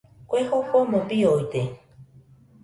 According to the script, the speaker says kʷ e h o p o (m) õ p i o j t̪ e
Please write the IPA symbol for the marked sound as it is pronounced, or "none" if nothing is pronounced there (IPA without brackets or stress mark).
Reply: m